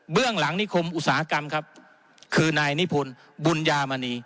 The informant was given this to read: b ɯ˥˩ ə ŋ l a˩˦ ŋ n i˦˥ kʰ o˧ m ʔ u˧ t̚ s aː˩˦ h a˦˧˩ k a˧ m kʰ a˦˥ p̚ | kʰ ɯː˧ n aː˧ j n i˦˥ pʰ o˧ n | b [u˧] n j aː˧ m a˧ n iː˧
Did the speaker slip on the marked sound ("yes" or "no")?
no